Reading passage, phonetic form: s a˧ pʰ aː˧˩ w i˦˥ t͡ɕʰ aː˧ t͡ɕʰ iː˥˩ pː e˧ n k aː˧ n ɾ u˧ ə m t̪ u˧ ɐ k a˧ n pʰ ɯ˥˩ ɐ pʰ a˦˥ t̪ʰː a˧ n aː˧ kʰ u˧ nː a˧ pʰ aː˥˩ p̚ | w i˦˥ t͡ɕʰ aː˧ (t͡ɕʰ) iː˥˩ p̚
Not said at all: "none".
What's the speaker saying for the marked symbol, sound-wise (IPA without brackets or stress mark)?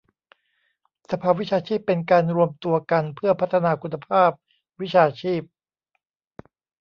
t͡ɕʰ